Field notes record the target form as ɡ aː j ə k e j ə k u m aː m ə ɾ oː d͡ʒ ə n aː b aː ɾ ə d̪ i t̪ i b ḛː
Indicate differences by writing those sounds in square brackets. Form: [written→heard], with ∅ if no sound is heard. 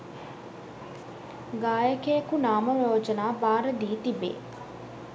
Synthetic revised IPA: ɡ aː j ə k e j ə k u [m→n] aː m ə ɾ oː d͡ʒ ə n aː b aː ɾ ə d̪ [i→iː] t̪ i b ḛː